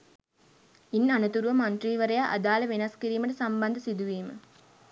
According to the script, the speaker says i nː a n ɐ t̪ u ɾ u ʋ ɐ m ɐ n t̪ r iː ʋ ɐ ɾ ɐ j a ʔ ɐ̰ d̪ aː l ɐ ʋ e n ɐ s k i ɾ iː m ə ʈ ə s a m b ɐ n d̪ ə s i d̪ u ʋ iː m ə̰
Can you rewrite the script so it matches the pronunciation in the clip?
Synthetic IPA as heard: i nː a n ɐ t̪ u ɾ u ʋ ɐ m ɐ n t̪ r iː ʋ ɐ ɾ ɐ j a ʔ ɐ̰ d̪ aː l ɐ ʋ e n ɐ s k i ɾ iː m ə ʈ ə s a m b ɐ n d̪ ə s i d̪ u ʋ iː m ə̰